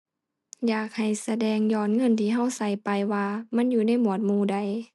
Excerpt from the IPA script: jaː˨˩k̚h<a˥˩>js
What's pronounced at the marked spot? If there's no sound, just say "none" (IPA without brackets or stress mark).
a˨˩